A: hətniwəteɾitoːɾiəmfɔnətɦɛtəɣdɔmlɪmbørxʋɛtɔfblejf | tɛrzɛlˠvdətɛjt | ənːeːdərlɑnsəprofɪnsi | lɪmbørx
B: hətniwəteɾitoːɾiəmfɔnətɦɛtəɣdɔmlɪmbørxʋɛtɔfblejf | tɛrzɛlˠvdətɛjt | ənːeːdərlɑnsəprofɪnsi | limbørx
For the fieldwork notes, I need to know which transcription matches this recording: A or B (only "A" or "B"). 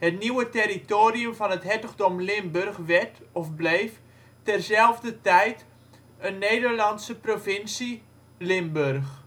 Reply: A